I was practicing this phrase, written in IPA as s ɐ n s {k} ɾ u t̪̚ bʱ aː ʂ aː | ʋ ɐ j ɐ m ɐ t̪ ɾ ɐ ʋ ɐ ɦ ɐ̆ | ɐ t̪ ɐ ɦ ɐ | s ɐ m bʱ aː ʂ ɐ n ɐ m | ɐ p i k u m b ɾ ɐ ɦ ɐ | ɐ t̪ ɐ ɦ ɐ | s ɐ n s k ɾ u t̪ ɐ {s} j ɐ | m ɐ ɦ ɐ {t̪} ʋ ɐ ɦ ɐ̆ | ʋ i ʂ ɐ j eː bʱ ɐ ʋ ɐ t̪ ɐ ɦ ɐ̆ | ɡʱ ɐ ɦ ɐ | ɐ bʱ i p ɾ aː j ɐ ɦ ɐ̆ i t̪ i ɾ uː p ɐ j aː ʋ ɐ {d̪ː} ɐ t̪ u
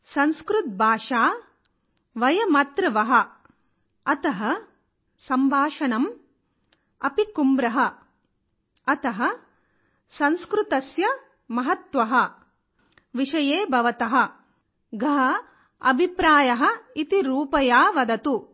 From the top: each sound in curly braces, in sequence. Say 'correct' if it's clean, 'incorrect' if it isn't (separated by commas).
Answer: correct, correct, correct, incorrect